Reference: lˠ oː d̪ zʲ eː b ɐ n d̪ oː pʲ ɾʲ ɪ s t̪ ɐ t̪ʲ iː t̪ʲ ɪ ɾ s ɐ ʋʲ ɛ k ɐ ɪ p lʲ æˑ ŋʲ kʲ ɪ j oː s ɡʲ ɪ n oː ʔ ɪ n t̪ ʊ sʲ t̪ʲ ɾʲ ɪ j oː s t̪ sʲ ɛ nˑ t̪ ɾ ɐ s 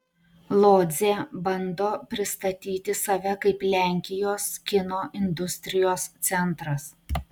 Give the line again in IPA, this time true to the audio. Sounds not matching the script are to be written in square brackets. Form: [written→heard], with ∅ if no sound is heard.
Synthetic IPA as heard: lˠ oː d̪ zʲ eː b ɐ n d̪ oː pʲ ɾʲ ɪ s t̪ ɐ t̪ʲ iː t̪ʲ ɪ [ɾ→∅] s ɐ ʋʲ ɛ k ɐ ɪ p lʲ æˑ ŋʲ kʲ ɪ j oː s [ɡʲ→kʲ] ɪ n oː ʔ ɪ n [t̪→d̪] ʊ sʲ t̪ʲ ɾʲ ɪ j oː s t̪ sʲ ɛ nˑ t̪ ɾ ɐ s